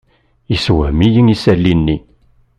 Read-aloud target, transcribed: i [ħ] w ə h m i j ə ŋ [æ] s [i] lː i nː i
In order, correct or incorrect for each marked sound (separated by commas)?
incorrect, incorrect, incorrect